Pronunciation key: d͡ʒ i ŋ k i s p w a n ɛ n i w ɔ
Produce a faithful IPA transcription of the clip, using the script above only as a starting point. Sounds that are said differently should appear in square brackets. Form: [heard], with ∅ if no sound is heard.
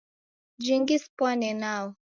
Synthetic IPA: d͡ʒ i ŋ [ɡ] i s p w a n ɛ n [a] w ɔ